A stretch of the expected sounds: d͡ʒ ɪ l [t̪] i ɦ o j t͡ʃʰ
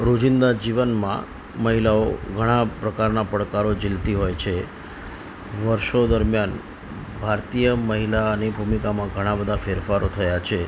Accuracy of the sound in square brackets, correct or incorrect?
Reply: correct